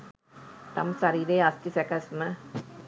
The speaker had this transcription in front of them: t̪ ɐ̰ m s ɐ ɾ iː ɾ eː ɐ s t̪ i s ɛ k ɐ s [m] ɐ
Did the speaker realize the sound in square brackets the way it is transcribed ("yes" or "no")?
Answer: yes